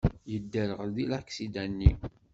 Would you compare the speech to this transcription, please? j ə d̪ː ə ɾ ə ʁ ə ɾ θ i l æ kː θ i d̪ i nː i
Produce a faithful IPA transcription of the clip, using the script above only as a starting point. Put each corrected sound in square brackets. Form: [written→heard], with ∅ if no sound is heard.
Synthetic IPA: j ə d̪ː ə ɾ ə ʁ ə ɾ [θ→ð] i l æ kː [θ→s] i d̪ [i→æ] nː i